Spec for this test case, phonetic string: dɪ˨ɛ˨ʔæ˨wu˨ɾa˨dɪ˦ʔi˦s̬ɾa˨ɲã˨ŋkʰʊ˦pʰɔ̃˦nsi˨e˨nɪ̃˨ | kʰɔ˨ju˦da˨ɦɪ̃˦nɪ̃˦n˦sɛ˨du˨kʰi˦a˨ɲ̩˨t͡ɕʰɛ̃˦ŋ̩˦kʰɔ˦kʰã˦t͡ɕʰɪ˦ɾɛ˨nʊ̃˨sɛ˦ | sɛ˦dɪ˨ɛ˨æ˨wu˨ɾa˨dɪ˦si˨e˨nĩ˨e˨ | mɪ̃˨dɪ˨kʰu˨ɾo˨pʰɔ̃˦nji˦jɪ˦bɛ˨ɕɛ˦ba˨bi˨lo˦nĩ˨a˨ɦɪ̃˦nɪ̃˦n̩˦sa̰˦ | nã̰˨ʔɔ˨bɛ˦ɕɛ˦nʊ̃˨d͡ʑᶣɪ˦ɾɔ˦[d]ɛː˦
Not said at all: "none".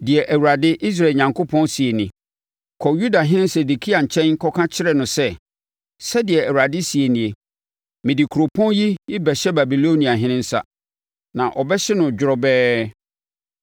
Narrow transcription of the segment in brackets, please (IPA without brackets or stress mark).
b